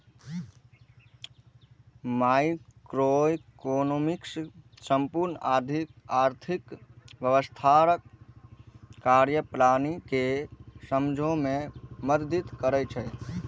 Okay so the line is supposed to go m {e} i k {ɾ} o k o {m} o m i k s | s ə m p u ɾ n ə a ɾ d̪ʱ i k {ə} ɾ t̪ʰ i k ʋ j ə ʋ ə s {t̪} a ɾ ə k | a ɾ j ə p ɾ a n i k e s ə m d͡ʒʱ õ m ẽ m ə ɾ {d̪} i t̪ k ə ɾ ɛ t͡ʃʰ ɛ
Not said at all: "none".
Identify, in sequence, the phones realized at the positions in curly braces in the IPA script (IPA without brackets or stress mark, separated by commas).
a, ɾ, n, a, t̪ʰ, d̪